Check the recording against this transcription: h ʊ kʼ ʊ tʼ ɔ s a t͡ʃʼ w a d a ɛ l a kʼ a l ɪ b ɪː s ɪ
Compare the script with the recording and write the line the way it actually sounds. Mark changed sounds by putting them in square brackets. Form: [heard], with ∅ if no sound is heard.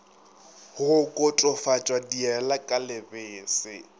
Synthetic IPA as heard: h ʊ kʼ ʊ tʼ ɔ [f] a t͡ʃʼ w a d [i] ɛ l a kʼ a l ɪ b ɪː s ɪ